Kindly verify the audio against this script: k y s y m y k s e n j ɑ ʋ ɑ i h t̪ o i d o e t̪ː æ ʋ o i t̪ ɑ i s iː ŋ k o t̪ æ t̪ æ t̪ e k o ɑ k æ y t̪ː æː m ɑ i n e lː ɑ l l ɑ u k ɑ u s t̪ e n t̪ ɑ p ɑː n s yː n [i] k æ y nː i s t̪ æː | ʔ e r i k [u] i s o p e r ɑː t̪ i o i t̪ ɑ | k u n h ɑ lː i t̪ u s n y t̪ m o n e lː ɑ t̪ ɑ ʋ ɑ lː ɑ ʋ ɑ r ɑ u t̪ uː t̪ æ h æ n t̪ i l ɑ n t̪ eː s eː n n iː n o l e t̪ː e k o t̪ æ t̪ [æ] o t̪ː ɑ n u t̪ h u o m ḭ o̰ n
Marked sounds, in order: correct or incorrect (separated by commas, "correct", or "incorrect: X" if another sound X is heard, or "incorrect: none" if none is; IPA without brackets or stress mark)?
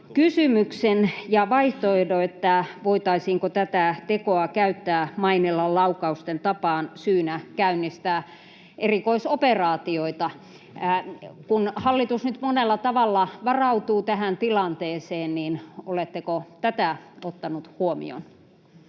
incorrect: æ, incorrect: o, correct